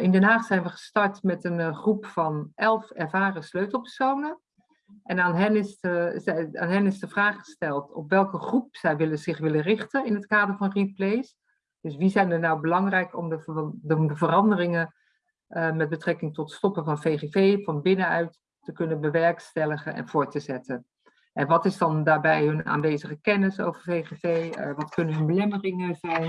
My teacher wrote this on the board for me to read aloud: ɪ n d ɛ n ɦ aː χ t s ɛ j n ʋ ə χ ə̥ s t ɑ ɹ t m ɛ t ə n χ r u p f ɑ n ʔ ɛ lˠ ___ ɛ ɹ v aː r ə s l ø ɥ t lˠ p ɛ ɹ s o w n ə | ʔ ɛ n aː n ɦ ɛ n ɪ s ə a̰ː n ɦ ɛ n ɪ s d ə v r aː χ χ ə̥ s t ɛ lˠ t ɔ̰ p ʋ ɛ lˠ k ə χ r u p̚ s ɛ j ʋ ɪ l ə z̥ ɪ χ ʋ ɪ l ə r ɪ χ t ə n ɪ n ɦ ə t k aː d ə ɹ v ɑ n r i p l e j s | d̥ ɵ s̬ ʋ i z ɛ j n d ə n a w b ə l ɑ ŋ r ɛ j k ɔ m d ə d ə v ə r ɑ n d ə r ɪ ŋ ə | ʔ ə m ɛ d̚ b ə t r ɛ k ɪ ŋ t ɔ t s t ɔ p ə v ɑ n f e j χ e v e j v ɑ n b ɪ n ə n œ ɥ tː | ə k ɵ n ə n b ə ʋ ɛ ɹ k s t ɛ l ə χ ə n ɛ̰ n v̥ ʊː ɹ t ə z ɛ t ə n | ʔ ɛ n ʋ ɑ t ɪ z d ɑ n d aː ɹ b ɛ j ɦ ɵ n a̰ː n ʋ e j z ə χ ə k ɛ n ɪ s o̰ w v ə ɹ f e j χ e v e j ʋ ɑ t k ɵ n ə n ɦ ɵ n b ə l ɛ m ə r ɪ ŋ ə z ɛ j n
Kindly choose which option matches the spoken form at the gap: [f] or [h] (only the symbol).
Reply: f